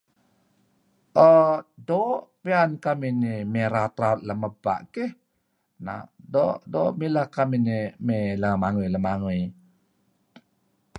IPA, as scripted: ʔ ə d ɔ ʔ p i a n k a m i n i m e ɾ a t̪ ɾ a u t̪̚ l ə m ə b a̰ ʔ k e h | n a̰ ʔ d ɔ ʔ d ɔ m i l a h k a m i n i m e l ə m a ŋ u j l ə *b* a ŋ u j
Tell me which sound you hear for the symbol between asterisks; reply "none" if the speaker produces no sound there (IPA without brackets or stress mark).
m